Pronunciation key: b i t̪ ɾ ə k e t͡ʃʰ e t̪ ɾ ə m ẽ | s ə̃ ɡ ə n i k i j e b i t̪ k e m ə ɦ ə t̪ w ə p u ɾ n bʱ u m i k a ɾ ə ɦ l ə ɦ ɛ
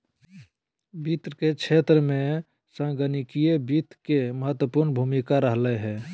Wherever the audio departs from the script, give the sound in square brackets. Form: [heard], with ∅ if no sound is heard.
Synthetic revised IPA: b i t̪ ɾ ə k e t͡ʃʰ e t̪ ɾ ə m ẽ | s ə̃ ɡ ə n i k i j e b i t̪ k e m ə ɦ ə t̪ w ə p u ɾ n bʱ u m i k a ɾ ə ɦ l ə ɦ ɛ

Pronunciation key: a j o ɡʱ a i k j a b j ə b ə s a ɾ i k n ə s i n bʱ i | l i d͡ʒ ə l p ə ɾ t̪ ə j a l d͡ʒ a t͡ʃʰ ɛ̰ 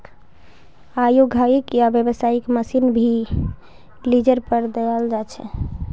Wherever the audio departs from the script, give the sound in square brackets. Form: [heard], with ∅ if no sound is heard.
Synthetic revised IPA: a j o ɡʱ a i k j a b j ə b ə s a [∅] i k [m] ə s i n bʱ i | l i d͡ʒ ə [ɾ] p ə ɾ [d̪] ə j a l d͡ʒ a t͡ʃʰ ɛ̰

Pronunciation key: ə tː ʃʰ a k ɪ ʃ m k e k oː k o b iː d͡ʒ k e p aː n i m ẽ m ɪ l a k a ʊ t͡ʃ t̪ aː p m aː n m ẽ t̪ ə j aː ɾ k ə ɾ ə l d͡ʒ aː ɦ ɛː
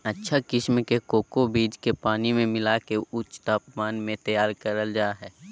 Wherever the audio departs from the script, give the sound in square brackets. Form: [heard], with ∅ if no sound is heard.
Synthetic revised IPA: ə tː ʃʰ a k ɪ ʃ m k e k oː k o b iː d͡ʒ k e p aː n i m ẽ m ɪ l a k [e] ʊ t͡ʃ t̪ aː p m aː n m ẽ t̪ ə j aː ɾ k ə ɾ ə l d͡ʒ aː ɦ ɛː

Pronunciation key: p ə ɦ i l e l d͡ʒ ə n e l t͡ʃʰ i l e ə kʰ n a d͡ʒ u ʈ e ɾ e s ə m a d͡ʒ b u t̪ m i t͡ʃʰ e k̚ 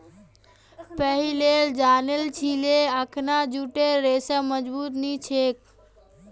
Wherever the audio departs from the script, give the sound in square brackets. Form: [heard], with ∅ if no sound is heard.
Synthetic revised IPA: p ə ɦ i l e l d͡ʒ [a] n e l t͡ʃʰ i l e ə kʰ n a d͡ʒ u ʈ e ɾ e s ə m [ə] d͡ʒ b u t̪ [n] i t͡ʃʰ e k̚

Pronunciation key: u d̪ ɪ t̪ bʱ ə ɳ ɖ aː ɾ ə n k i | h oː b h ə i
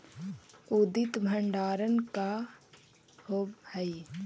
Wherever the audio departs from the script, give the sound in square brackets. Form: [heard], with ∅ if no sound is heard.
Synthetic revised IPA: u d̪ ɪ t̪ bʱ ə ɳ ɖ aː ɾ ə n k [a] | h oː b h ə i

